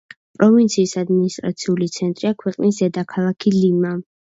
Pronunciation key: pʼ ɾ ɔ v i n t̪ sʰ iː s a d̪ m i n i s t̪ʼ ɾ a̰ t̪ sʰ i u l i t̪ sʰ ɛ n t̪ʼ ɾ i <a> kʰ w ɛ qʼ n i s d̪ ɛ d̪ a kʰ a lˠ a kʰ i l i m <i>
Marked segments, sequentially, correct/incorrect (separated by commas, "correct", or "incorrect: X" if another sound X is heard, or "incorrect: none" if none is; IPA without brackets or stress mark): correct, incorrect: a